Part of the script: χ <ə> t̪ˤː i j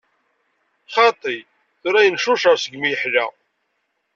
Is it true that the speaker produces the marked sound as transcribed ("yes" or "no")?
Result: no